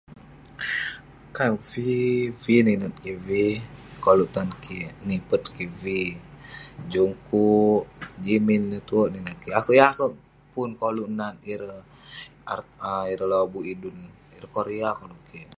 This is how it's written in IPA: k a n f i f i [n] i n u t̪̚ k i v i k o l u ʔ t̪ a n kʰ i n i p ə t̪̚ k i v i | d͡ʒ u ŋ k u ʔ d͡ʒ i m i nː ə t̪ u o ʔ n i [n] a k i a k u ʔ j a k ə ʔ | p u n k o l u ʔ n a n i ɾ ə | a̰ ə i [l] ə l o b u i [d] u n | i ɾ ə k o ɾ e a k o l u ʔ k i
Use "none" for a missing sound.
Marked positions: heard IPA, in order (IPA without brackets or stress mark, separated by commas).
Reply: n, n, ɾ, d